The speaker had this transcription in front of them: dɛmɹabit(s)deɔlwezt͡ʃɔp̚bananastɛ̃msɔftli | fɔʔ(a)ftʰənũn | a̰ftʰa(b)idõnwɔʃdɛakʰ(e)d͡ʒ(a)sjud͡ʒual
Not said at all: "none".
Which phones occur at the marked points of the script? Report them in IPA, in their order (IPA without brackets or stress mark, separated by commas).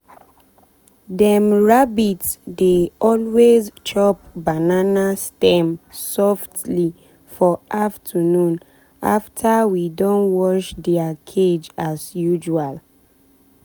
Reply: s, a, w, e, a